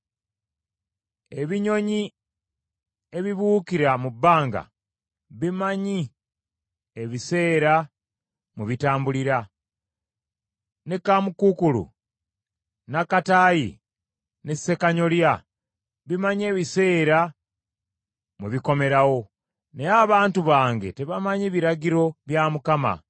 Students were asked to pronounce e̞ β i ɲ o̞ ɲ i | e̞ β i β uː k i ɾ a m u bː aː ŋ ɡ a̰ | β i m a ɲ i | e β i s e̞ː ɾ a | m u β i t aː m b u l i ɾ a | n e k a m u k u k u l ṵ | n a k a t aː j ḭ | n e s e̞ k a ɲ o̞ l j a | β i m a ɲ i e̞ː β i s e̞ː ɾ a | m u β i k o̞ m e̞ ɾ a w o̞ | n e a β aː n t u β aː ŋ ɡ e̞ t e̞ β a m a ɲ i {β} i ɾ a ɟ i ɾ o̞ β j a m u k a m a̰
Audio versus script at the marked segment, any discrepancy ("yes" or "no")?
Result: no